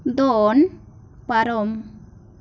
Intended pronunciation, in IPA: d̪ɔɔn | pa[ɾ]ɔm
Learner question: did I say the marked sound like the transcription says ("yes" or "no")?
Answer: yes